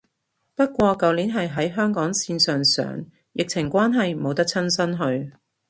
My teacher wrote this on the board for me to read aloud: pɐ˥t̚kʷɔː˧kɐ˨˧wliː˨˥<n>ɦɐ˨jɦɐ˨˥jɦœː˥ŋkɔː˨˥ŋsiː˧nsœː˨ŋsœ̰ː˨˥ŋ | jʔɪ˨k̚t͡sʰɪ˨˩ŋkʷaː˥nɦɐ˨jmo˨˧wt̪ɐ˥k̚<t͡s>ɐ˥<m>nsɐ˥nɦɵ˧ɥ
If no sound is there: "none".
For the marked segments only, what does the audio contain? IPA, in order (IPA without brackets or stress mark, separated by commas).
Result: n, t͡sʰ, none